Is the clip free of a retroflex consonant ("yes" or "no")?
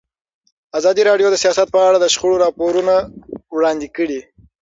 no